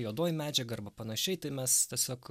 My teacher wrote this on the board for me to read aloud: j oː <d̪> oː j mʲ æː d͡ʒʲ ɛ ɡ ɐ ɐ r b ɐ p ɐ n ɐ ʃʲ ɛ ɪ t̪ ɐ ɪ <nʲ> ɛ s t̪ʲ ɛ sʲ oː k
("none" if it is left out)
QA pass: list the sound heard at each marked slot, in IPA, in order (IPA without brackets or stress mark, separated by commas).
d̪, mʲ